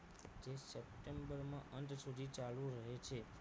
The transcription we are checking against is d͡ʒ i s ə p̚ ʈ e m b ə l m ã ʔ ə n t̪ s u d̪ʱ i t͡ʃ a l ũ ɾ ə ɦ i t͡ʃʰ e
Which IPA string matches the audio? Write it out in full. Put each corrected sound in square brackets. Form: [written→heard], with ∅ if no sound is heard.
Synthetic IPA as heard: d͡ʒ [i→e] s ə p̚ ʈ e m b ə [l→ɾ] m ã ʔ ə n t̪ s u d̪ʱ i t͡ʃ a l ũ ɾ ə ɦ [i→e] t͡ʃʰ e

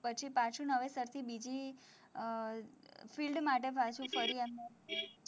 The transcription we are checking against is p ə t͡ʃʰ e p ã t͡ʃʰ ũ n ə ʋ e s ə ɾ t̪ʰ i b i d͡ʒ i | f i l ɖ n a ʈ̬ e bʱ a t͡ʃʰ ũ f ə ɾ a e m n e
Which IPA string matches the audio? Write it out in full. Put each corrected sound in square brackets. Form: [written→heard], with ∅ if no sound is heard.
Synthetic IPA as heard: p ə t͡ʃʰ [e→i] p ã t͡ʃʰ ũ n ə ʋ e s ə ɾ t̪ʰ i b i d͡ʒ i | f i l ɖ [n→m] a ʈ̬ e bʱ a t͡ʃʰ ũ f ə ɾ [a→i] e m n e

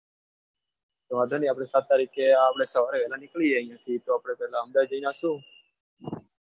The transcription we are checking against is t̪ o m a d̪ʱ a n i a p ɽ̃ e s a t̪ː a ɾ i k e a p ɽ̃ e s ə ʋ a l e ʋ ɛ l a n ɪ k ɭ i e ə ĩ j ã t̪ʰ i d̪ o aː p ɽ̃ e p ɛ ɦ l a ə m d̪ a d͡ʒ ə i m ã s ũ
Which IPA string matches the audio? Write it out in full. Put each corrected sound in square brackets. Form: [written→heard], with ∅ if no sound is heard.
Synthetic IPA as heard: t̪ o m a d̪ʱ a n i a p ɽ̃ e s a t̪ː a ɾ i k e a p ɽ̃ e s ə ʋ a [l→ɾ] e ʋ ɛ l a n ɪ k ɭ i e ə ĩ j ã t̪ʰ i [d̪→t̪] o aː p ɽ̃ e p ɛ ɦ l a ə m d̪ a d͡ʒ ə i [m→n] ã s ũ

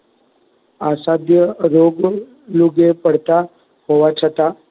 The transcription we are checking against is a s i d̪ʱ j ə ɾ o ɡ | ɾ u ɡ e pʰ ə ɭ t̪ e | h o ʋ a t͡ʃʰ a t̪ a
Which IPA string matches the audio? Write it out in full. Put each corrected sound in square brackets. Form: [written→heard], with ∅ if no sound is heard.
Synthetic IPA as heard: a s [i→a] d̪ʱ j ə ɾ o ɡ | [ɾ→l] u ɡ e [pʰ→p] ə [ɭ→ɽ] t̪ [e→a] | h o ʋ a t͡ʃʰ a t̪ a

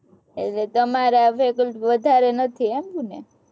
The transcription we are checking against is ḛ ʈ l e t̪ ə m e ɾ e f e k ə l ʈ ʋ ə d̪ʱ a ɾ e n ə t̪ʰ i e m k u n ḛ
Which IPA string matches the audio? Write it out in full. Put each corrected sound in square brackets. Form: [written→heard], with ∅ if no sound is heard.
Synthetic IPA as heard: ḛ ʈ l e t̪ ə m [e→a] ɾ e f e k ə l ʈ ʋ ə d̪ʱ a ɾ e n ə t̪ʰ i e m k u n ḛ

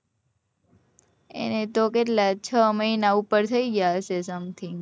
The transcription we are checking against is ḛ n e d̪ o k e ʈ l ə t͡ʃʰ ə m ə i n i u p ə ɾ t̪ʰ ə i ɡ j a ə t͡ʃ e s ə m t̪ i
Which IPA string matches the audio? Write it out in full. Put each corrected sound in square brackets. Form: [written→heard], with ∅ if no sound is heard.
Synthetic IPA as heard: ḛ n e [d̪→t̪] o k e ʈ l [ə→a] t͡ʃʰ ə m ə i n [i→a] u p ə ɾ t̪ʰ ə i ɡ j a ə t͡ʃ e s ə m [t̪→t̪ʰ] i

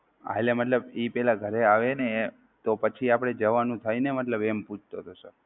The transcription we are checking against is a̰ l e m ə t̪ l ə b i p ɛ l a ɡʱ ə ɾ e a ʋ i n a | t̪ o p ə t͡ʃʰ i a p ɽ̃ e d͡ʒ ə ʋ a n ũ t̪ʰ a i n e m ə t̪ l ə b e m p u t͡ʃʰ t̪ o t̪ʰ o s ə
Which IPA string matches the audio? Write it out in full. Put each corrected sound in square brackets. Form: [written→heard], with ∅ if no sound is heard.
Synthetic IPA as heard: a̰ l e m ə t̪ l ə b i p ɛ l a ɡʱ ə ɾ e a ʋ [i→e] n [a→e] | t̪ o p ə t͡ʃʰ i a p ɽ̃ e d͡ʒ ə ʋ a n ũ t̪ʰ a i n e m ə t̪ l ə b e m p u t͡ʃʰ t̪ o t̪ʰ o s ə

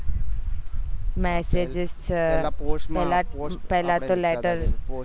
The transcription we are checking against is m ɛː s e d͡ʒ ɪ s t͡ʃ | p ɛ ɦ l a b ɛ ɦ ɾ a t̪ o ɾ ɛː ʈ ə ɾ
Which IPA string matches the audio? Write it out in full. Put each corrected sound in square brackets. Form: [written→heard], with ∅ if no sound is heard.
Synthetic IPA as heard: m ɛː s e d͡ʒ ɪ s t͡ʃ | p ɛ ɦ l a [b→p] ɛ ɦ [ɾ→l] a t̪ o [ɾ→l] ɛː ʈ ə ɾ

